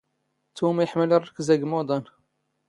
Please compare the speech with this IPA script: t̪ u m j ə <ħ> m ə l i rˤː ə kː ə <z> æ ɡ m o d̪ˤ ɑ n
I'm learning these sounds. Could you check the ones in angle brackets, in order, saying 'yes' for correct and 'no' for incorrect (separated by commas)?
yes, yes